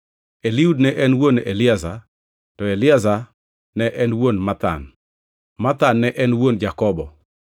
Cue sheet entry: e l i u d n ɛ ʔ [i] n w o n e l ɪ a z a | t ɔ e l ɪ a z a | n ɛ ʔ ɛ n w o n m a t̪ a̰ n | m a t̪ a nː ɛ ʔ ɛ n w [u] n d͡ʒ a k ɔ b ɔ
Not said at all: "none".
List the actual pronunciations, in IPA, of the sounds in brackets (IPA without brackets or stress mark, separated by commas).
ɛ, o